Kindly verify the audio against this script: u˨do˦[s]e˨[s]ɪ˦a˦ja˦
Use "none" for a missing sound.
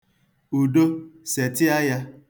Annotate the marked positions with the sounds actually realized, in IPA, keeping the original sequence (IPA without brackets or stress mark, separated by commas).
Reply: s, t